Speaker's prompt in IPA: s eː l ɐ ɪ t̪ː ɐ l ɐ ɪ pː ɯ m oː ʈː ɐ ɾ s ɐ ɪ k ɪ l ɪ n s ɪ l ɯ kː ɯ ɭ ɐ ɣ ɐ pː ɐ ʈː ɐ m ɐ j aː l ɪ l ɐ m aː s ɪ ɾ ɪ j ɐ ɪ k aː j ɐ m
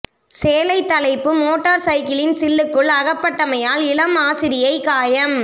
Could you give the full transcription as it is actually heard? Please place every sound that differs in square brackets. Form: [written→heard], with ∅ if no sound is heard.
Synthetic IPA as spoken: s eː l ɐ ɪ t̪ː ɐ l ɐ ɪ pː ɯ m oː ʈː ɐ ɾ s ɐ ɪ k ɪ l ɪ n s ɪ [l→lː] ɯ kː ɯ ɭ ɐ ɣ ɐ pː ɐ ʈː ɐ m ɐ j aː l ɪ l ɐ m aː s ɪ ɾ ɪ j ɐ ɪ k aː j ɐ m

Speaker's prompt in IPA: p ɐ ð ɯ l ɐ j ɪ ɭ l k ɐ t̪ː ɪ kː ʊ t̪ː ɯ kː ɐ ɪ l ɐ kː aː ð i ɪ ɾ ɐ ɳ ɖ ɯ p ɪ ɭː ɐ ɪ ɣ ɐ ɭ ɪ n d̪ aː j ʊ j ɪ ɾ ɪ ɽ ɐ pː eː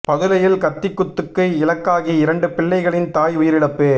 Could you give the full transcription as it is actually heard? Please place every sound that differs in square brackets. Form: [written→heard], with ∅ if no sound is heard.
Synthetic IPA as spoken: p ɐ ð ɯ l ɐ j ɪ [ɭ→∅] l k ɐ t̪ː ɪ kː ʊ t̪ː ɯ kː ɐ ɪ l ɐ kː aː [ð→ɣ] i ɪ ɾ ɐ ɳ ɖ ɯ p ɪ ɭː ɐ ɪ ɣ ɐ ɭ ɪ n [d̪→t̪] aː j ʊ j ɪ ɾ ɪ ɽ ɐ pː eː

